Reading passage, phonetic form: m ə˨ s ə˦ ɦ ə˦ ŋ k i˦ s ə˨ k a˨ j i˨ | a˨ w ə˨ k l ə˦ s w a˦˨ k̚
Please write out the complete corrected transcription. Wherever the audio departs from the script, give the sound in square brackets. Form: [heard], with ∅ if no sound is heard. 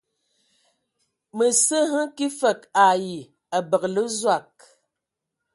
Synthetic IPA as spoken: m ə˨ s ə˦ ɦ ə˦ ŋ k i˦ [f] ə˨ k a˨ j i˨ | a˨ [b] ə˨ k l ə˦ [z] w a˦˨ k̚

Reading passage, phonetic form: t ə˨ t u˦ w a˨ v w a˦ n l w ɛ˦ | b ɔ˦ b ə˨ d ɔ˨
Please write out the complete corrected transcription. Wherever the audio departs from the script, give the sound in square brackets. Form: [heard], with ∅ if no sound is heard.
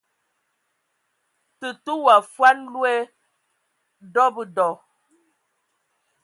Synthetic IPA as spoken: t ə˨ t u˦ w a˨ [f] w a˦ n l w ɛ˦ | [d] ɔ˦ b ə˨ d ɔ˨

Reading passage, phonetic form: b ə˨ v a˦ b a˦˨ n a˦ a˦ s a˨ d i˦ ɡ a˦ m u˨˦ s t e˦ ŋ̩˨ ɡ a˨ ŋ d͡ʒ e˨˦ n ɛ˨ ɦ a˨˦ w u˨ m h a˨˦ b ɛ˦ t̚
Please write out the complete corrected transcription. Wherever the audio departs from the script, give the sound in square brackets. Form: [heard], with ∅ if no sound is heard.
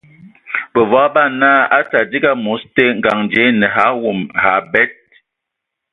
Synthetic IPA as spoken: b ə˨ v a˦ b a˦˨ n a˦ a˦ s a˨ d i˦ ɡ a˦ m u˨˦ s t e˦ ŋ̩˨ ɡ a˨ ŋ d͡ʒ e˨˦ n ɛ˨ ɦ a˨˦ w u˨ m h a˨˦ b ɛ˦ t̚

